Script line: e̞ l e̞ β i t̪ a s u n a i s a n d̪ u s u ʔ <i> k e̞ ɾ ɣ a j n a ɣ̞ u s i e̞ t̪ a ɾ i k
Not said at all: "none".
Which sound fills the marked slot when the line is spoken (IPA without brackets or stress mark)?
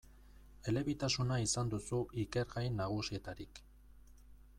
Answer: i